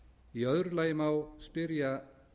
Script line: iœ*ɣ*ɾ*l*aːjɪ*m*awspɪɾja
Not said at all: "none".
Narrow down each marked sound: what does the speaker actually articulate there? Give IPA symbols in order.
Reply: ð, l, m

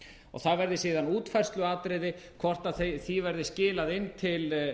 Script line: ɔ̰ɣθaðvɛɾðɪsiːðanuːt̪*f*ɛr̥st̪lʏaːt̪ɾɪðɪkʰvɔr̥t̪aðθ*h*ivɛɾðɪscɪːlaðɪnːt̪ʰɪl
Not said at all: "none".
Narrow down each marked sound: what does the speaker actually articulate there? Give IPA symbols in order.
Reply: f, θ

